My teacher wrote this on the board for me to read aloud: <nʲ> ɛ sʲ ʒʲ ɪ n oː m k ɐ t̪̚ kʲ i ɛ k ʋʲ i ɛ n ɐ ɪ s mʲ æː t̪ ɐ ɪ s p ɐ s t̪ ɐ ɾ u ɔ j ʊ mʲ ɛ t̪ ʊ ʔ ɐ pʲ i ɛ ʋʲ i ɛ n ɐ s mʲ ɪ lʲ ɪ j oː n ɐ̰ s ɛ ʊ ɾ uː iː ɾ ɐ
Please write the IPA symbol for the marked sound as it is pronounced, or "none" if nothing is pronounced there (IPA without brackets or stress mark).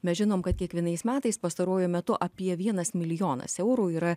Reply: mʲ